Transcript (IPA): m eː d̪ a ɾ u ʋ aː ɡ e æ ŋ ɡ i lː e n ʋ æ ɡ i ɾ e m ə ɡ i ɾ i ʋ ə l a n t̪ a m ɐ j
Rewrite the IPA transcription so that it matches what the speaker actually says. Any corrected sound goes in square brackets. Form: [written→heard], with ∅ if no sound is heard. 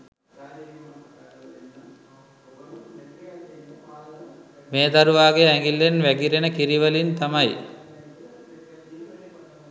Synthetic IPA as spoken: m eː d̪ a ɾ u ʋ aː ɡ e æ ŋ ɡ i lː e n ʋ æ ɡ i ɾ e [m→n] ə [ɡ→k] i ɾ i ʋ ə l [a→i] n t̪ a m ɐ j